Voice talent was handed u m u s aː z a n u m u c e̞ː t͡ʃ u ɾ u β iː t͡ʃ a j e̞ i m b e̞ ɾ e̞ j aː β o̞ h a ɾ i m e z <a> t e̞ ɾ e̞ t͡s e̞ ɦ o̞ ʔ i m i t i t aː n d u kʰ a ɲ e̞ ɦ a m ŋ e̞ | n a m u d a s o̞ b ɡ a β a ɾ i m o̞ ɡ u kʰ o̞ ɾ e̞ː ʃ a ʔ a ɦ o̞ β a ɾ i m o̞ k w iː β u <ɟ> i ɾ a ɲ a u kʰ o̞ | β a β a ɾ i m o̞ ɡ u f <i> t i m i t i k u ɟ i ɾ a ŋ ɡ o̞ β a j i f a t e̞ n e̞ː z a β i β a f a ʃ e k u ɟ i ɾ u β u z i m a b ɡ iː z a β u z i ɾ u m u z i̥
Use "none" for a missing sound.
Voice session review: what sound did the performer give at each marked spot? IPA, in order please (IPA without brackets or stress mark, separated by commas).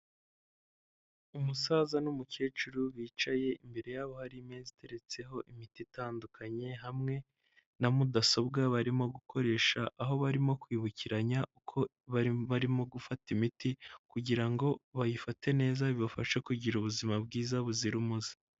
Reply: i, c, a